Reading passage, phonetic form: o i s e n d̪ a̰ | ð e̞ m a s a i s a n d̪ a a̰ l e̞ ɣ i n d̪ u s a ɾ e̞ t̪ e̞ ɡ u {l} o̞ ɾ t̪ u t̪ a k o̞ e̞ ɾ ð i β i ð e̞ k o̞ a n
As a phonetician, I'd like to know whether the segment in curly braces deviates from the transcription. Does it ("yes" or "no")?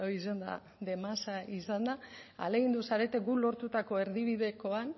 no